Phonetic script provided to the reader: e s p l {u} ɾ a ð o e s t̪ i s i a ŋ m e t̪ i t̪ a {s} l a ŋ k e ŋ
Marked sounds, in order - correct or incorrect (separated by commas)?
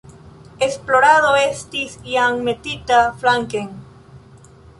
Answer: incorrect, incorrect